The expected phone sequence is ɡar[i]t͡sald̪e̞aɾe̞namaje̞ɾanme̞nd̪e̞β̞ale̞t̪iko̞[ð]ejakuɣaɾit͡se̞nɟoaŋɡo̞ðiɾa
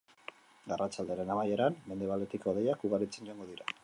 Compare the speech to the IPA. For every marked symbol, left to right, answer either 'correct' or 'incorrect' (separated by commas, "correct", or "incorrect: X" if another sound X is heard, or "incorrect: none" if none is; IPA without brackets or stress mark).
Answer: incorrect: a, correct